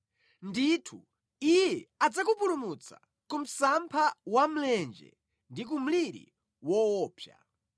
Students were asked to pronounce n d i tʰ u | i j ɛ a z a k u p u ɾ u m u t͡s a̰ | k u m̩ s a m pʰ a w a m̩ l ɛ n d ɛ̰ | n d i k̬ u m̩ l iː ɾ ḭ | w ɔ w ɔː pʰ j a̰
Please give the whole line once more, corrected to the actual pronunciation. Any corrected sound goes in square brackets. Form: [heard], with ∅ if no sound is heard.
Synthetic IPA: n d i tʰ u | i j ɛ a [d͡z] a k u p u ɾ u m u t͡s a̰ | k u m̩ s a m pʰ a w a m̩ l ɛ n [d͡ʒ] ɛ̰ | n d i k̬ u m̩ l [i] ɾ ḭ | w ɔ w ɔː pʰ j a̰